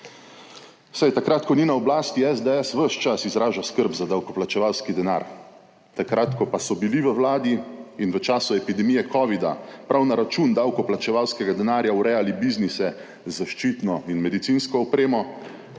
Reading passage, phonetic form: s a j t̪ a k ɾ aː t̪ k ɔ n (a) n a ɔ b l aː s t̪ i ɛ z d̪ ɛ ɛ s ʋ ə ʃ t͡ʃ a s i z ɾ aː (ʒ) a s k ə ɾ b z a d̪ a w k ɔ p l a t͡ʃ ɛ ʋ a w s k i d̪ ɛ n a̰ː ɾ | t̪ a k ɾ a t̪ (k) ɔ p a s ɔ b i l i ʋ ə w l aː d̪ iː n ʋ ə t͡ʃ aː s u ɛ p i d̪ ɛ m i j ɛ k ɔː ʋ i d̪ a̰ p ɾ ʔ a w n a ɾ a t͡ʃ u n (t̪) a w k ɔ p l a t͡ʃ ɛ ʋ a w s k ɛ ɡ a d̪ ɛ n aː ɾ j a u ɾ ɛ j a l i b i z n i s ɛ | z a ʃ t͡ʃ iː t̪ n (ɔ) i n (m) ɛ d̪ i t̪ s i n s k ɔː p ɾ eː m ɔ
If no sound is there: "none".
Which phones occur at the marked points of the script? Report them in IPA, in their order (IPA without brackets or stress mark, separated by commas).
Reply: i, ʒ, k, d̪, ɔ, m